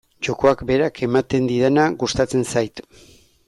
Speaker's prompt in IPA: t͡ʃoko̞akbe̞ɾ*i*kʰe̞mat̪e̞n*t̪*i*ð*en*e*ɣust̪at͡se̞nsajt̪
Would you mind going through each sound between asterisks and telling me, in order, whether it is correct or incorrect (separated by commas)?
incorrect, incorrect, correct, incorrect